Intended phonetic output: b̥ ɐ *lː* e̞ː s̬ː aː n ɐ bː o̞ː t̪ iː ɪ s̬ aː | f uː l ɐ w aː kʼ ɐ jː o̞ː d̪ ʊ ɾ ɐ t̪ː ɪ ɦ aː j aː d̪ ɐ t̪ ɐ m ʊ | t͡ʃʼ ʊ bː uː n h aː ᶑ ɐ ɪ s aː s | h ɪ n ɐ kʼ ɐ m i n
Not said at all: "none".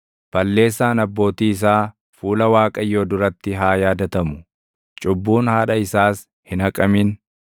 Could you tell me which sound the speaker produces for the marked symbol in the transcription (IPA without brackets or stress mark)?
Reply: lː